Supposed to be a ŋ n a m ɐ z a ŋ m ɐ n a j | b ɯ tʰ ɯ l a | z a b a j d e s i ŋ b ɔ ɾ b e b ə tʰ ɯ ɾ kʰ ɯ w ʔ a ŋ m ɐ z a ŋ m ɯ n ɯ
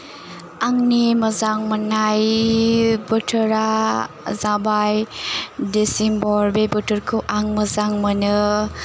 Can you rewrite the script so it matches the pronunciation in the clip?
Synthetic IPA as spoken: a ŋ n i m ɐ z a ŋ m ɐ n a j | b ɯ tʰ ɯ ɾ a | z a b a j d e s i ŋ b ɔ ɾ b e b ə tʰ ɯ ɾ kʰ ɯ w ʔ a ŋ m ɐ z a ŋ m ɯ n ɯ